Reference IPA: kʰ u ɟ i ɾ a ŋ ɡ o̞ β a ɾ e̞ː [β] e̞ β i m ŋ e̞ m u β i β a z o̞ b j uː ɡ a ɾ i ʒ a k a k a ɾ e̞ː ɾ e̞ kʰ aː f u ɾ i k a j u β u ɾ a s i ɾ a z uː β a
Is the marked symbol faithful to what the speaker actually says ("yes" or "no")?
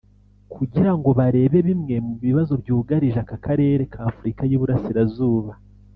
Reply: yes